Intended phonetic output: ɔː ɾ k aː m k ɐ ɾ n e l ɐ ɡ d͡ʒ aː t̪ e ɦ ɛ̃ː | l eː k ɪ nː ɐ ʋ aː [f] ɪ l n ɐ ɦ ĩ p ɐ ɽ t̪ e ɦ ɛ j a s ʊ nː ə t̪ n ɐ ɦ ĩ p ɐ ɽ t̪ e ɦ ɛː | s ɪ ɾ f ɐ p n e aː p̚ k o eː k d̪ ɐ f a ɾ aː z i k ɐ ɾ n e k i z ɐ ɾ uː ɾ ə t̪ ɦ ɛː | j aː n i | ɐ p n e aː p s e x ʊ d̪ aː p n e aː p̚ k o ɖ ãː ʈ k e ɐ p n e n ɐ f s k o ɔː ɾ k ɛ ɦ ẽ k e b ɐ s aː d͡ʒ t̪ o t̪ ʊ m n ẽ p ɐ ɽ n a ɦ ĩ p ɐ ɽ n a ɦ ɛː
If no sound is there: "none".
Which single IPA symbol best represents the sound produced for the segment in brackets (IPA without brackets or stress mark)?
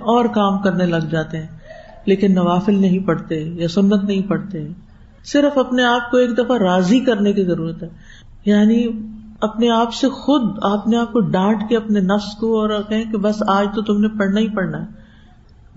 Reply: f